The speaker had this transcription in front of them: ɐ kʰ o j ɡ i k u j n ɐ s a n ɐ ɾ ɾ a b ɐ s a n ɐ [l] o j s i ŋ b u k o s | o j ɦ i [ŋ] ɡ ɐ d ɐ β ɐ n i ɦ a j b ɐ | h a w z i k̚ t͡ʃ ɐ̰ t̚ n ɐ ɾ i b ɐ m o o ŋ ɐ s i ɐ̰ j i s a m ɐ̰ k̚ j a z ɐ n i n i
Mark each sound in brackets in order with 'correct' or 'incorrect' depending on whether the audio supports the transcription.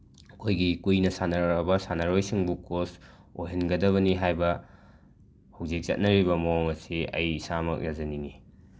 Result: incorrect, incorrect

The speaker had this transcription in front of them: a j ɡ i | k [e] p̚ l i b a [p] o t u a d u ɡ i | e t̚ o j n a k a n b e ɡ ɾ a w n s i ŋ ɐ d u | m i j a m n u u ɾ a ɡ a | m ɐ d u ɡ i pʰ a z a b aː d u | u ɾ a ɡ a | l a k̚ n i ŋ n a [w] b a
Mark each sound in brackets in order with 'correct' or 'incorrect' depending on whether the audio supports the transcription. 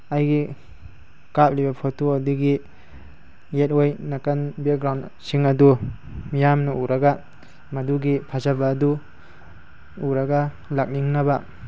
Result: incorrect, incorrect, incorrect

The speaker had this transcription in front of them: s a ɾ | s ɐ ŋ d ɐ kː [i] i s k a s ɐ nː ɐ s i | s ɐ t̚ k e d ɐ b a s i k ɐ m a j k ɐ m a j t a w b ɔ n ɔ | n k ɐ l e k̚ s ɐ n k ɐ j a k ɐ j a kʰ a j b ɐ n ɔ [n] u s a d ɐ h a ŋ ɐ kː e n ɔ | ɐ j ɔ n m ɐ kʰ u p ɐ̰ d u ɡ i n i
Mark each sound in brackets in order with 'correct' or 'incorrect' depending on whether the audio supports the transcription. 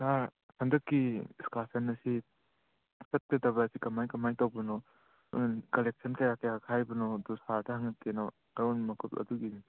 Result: correct, incorrect

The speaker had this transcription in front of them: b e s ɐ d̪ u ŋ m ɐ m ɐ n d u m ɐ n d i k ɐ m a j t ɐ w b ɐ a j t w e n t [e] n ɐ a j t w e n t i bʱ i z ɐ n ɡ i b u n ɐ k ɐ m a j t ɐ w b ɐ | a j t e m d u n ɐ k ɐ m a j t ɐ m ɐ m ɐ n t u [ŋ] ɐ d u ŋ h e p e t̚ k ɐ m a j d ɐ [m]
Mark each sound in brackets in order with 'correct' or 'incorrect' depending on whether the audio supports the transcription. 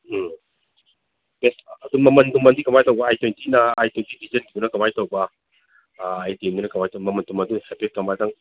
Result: incorrect, incorrect, incorrect

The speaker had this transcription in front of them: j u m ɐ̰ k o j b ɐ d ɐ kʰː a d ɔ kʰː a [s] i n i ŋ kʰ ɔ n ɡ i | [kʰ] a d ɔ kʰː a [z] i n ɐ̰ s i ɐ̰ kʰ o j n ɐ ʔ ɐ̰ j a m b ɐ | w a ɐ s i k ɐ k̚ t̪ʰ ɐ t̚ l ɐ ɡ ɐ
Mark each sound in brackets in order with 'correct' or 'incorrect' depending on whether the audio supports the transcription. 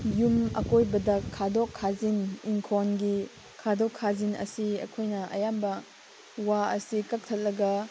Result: incorrect, correct, correct

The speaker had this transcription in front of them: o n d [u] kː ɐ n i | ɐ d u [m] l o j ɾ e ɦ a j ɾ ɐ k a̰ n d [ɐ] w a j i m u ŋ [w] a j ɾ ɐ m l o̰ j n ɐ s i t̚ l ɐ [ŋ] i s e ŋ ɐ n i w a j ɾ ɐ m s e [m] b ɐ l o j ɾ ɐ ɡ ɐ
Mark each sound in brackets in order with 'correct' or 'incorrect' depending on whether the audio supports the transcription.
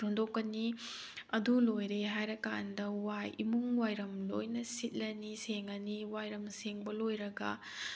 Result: incorrect, incorrect, correct, correct, incorrect, incorrect

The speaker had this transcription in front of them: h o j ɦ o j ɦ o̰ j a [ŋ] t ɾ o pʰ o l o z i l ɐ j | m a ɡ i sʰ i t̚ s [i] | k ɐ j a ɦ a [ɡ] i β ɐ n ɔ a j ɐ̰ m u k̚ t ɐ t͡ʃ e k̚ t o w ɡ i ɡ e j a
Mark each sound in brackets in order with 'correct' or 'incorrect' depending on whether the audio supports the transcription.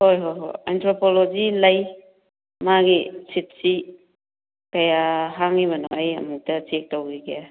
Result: incorrect, correct, incorrect

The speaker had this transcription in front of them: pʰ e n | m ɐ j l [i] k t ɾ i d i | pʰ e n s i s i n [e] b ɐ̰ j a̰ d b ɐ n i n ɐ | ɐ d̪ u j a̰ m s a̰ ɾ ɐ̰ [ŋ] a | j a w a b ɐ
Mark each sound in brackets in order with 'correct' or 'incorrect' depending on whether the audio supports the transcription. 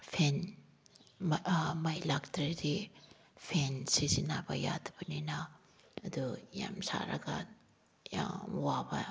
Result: incorrect, incorrect, incorrect

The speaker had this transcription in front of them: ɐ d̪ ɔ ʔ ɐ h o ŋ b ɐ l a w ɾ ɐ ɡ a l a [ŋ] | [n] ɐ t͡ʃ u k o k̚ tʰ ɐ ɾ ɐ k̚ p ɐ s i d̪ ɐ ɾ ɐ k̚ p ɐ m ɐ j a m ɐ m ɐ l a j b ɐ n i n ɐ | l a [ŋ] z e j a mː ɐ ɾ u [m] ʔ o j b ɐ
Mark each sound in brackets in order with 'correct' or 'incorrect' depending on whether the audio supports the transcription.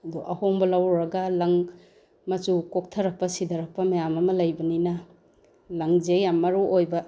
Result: correct, incorrect, correct, incorrect

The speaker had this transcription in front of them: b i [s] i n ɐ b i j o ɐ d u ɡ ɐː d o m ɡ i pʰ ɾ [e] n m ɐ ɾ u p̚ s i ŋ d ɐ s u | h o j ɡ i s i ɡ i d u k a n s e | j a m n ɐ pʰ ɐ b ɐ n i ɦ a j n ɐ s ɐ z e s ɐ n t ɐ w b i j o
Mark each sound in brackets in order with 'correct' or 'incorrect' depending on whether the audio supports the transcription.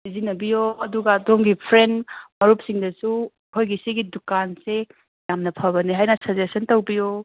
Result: incorrect, correct

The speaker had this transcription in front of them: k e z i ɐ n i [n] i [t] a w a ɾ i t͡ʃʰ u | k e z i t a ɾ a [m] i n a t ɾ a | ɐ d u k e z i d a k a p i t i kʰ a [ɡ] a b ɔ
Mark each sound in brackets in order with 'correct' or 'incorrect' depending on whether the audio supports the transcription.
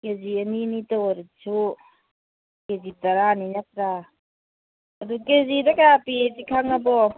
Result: correct, correct, incorrect, incorrect

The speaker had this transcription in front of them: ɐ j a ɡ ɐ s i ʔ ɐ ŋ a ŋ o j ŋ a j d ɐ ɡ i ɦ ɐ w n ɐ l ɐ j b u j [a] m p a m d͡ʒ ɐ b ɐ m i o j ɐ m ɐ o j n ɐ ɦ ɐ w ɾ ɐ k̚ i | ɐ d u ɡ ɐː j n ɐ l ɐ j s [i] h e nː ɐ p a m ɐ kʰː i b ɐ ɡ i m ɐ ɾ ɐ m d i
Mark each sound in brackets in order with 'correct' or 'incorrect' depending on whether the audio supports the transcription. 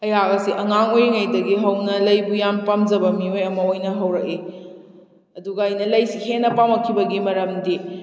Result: correct, correct

